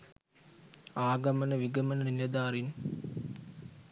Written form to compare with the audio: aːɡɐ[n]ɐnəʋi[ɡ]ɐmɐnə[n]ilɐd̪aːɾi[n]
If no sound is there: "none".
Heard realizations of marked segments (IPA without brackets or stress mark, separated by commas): m, ɡ, n, n